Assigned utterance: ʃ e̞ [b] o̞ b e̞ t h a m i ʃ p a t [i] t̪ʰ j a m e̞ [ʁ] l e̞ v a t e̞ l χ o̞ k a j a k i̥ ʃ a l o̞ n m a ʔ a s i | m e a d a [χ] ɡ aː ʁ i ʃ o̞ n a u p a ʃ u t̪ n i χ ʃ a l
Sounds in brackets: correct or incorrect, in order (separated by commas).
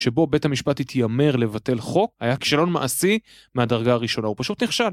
correct, correct, correct, incorrect